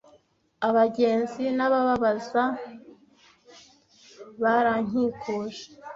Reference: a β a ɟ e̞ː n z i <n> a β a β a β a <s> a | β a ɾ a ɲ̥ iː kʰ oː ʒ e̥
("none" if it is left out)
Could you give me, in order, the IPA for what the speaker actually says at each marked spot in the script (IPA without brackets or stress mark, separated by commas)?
n, z